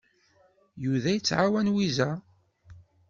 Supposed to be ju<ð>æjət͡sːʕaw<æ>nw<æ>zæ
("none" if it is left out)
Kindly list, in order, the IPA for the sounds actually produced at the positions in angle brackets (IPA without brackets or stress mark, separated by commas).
ð, æ, i